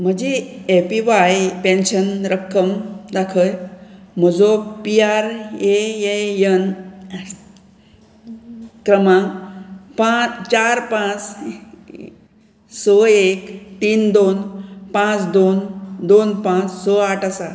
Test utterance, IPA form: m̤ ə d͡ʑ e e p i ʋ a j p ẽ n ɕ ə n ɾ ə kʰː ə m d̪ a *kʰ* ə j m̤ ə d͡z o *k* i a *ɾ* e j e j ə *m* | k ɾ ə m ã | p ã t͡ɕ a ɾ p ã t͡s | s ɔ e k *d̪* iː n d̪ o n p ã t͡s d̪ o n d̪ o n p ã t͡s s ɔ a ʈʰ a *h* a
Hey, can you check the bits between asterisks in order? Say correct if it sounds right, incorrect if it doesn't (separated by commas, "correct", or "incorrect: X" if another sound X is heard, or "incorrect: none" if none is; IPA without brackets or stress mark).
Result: correct, incorrect: p, correct, incorrect: n, incorrect: t̪, incorrect: s